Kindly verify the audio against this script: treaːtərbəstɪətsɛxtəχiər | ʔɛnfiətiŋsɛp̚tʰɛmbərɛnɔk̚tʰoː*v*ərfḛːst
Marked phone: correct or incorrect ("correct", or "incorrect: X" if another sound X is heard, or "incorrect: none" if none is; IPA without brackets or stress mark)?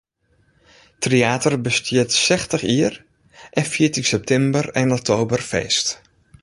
incorrect: b